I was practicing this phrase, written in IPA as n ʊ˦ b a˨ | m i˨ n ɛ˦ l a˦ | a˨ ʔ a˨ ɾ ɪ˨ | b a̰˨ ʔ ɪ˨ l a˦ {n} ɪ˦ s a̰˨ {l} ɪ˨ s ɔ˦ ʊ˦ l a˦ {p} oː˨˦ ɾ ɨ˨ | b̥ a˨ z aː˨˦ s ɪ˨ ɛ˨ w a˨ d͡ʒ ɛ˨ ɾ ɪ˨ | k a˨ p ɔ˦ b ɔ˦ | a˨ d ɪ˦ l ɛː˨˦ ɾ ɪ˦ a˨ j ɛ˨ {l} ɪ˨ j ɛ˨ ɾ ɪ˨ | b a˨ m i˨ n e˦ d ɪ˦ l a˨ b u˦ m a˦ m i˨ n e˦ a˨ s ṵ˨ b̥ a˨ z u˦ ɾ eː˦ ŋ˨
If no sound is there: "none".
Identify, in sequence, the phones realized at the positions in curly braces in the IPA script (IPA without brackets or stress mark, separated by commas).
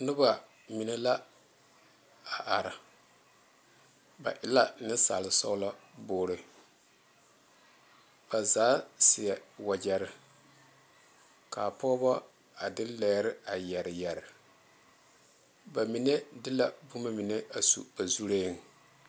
n, l, b, ɾ